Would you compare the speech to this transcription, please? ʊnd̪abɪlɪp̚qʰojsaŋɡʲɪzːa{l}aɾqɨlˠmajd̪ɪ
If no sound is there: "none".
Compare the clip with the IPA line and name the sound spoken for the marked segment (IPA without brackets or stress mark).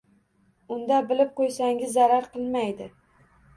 ɾ